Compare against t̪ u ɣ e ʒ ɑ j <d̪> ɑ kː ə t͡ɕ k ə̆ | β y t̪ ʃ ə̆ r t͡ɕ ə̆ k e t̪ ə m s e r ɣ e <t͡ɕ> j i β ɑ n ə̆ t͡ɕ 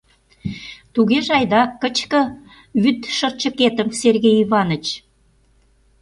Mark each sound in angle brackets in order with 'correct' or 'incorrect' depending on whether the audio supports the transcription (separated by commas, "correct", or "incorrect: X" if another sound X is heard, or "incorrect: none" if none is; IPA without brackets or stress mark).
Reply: correct, incorrect: none